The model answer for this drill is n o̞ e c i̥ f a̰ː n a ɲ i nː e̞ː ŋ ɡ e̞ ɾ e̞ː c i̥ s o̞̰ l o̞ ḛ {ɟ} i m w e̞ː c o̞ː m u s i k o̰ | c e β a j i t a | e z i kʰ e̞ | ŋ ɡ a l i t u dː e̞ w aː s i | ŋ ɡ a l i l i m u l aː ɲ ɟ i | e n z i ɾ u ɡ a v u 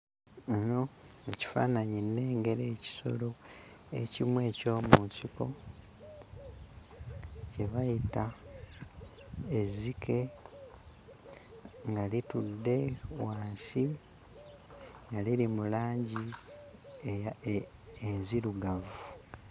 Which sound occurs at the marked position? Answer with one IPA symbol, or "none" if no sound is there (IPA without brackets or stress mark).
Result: c